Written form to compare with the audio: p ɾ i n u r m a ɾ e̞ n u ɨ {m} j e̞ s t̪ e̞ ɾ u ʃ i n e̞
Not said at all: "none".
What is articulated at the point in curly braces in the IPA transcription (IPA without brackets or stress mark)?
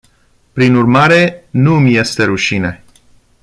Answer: m